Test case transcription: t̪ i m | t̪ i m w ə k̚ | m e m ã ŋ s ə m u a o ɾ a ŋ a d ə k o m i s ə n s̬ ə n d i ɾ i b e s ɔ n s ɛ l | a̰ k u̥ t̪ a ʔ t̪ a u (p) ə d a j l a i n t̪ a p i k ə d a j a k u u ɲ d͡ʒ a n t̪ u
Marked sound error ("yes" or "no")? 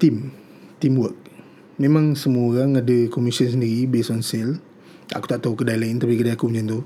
yes